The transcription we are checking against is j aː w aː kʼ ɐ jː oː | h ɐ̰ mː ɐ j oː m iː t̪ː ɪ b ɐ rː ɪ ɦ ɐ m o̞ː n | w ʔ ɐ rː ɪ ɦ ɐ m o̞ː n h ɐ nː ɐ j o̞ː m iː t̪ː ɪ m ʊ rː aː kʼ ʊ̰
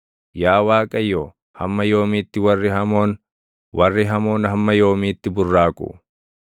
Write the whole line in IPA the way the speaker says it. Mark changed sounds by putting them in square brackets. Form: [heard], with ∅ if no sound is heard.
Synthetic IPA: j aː w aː kʼ ɐ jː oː | h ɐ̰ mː ɐ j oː m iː t̪ː ɪ [w] ɐ rː ɪ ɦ ɐ m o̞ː n | w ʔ ɐ rː ɪ ɦ ɐ m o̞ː n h ɐ [mː] ɐ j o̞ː m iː t̪ː ɪ [b] ʊ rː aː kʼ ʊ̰